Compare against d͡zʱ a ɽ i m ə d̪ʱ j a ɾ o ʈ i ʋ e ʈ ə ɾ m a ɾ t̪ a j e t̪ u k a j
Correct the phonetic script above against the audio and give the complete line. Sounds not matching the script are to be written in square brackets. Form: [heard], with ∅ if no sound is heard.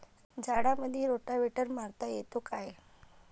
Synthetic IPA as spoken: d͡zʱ a ɽ [a] m ə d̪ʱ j [e] ɾ o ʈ [a] ʋ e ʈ ə ɾ m a ɾ t̪ a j e t̪ [o] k a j